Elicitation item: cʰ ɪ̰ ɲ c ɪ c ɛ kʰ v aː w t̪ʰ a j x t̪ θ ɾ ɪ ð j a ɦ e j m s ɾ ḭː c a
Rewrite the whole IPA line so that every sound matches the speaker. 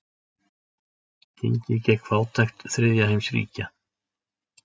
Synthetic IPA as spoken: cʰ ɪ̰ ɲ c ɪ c ɛ kʰ v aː w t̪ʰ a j x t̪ θ ɾ ɪ ð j a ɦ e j m s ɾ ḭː c a